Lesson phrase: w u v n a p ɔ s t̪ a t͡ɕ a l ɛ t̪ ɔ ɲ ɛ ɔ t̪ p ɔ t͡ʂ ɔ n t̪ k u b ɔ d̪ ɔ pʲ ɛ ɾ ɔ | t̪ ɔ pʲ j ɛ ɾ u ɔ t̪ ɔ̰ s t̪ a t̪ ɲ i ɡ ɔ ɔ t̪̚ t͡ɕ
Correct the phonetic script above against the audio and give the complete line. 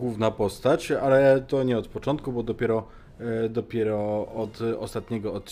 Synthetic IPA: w u v n a p ɔ s t̪ a t͡ɕ a l ɛ t̪ ɔ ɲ ɛ ɔ t̪ p ɔ t͡ʂ ɔ n t̪ k u b ɔ d̪ ɔ pʲ ɛ ɾ ɔ | d̪ ɔ pʲ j ɛ ɾ ɔ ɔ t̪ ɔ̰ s t̪ a t̪ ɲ ɛ ɡ ɔ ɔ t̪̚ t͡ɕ